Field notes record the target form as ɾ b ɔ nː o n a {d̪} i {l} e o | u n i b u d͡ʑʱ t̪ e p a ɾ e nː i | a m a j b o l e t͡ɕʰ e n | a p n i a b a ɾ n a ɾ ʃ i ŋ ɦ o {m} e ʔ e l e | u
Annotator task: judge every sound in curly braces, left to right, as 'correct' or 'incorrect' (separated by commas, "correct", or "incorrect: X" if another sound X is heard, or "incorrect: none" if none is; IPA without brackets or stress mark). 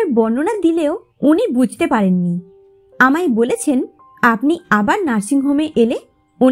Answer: correct, correct, correct